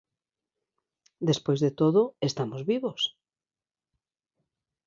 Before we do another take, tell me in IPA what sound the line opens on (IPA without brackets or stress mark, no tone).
d̪